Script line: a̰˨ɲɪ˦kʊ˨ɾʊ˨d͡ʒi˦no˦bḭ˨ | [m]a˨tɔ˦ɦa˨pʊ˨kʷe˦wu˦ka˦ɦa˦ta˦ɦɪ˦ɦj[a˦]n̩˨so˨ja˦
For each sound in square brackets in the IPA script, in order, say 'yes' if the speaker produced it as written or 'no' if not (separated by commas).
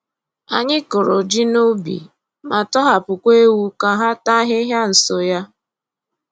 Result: yes, yes